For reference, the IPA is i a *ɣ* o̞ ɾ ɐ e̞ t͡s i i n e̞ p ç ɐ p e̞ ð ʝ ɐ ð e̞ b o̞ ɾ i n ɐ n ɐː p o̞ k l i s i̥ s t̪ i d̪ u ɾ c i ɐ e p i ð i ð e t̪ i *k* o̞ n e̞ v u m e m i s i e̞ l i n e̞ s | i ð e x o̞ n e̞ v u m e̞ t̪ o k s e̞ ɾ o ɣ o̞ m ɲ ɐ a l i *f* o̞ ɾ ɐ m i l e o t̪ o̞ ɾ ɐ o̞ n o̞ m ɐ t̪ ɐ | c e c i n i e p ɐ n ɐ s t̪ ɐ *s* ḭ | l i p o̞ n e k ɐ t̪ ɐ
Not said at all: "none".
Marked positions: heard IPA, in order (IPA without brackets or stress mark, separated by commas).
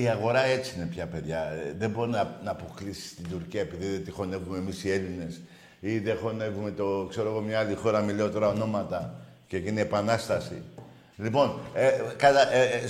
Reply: ɣ, x, x, s